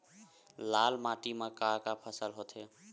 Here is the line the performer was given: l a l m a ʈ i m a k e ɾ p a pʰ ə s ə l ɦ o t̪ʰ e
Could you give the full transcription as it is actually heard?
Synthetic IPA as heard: l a l m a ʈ i m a k a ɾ k a pʰ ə s ə l ɦ o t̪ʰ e

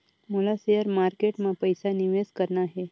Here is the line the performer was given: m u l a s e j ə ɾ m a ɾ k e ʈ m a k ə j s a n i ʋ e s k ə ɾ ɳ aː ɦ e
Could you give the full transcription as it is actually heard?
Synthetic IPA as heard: m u l a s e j ə ɾ m a ɾ k e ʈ m a p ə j s a n i ʋ e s k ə ɾ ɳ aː ɦ e

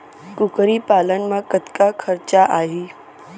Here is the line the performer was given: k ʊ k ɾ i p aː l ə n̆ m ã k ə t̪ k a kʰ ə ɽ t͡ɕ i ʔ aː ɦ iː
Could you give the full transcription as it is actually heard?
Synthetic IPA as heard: k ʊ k ɾ i p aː l ə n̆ m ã k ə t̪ k a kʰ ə ɾ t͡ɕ a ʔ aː ɦ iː

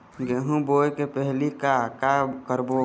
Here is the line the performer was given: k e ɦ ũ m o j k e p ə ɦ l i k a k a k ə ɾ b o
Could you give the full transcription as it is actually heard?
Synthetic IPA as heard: ɡ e ɦ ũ b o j k e p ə ɦ l i k a k a k ə ɾ b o

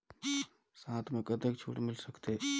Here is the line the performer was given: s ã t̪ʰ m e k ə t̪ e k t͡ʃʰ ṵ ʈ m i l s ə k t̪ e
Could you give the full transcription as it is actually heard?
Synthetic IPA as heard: s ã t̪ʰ m e k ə t̪ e k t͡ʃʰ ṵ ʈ m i l s ə k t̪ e

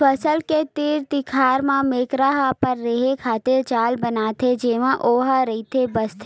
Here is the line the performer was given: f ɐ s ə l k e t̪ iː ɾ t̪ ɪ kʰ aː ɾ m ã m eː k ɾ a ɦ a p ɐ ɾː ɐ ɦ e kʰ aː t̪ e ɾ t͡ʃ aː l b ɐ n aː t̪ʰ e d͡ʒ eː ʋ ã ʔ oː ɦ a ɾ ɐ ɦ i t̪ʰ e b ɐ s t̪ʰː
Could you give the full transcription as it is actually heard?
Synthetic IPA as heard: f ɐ s ə l k e t̪ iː ɾ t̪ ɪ kʰ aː ɾ m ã m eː k ɾ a ɦ a p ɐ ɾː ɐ ɦ e kʰ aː t̪ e ɾ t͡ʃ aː l b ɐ n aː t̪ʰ e d͡ʒ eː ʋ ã ʔ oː ɦ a ɾ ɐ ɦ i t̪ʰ e b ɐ s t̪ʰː

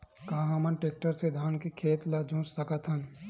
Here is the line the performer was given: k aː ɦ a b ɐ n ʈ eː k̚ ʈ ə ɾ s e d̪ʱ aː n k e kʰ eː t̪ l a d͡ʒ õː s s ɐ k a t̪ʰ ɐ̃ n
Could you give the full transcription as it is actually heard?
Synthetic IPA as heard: k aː ɦ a m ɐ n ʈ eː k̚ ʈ ə ɾ s e d̪ʱ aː n k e kʰ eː t̪ l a d͡ʒ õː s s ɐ k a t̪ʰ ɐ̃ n

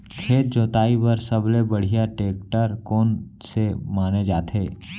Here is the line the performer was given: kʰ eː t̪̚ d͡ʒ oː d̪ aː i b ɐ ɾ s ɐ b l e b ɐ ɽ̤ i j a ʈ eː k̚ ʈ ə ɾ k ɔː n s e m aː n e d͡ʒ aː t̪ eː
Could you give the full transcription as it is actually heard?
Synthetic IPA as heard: kʰ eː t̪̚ d͡ʒ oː t̪ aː i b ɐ ɾ s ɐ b l e b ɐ ɽ̤ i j a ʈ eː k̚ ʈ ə ɾ k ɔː n s e m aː n e d͡ʒ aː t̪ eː

